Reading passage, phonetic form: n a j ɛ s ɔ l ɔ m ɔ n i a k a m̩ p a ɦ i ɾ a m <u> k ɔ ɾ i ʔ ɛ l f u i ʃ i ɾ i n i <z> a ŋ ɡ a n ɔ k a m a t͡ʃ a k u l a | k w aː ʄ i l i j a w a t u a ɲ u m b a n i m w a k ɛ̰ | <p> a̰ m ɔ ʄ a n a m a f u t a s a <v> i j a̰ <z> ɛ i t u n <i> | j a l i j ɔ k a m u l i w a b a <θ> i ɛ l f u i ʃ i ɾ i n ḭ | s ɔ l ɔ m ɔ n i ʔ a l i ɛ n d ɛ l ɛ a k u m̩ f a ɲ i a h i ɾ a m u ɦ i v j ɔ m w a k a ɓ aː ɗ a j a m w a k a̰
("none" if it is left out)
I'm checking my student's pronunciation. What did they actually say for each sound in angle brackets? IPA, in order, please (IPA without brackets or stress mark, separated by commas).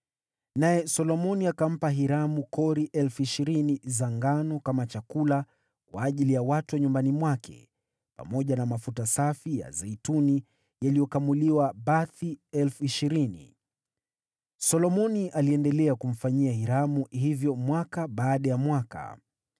u, z, p, f, z, i, θ